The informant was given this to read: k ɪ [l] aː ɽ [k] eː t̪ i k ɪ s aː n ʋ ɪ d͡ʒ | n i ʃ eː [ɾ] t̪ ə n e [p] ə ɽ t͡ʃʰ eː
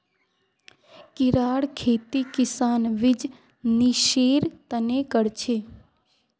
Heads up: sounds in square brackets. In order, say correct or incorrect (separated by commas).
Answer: incorrect, incorrect, correct, incorrect